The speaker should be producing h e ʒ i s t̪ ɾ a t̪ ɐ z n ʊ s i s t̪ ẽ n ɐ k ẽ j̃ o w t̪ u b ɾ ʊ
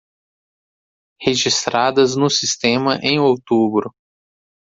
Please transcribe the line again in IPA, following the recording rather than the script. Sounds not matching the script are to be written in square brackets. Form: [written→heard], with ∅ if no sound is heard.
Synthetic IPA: h e ʒ i s t̪ ɾ a [t̪→d̪] ɐ z n ʊ s i s t̪ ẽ [n→m] ɐ [k→ʔ] ẽ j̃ o w t̪ u b ɾ ʊ